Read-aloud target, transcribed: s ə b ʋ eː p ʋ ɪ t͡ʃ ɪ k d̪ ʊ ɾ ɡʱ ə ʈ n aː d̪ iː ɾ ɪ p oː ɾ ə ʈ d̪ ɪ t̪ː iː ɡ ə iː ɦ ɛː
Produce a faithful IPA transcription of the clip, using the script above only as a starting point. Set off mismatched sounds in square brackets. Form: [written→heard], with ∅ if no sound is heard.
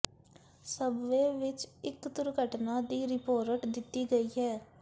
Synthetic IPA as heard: s ə b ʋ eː [p→∅] ʋ ɪ t͡ʃ ɪ k d̪ ʊ ɾ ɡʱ ə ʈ n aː d̪ iː ɾ ɪ p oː ɾ ə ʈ d̪ ɪ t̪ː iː ɡ ə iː ɦ ɛː